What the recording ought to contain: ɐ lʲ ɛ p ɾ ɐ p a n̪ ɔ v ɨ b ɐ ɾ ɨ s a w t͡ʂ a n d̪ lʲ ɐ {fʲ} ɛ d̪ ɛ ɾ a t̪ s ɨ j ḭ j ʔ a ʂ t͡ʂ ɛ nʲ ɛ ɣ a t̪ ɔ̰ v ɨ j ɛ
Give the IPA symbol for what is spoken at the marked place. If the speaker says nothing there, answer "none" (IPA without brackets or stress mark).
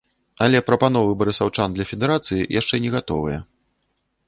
fʲ